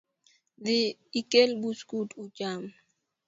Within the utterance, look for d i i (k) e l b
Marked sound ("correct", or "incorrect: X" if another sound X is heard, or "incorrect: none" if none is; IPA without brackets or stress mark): correct